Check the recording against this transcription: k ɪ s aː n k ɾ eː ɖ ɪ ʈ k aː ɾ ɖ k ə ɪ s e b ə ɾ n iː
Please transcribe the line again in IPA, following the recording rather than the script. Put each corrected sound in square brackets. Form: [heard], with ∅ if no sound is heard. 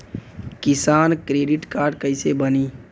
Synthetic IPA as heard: k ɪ s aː n k ɾ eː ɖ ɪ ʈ k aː ɾ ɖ k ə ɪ s e b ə [∅] n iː